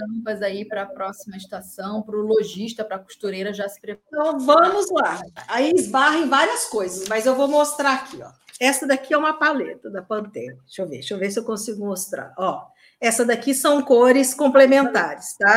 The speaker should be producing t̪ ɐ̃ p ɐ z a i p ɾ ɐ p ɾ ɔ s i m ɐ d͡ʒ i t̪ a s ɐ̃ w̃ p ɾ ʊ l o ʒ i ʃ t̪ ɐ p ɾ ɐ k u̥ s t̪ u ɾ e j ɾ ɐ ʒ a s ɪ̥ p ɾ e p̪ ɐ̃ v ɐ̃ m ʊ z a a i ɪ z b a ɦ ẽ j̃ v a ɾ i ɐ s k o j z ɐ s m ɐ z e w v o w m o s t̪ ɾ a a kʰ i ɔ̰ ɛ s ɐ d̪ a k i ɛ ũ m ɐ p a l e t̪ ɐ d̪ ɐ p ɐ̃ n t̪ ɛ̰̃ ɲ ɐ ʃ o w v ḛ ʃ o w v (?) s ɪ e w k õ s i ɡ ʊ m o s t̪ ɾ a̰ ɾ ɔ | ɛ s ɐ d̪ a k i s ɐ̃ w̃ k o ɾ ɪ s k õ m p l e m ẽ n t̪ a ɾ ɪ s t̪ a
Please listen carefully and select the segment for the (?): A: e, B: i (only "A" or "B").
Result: A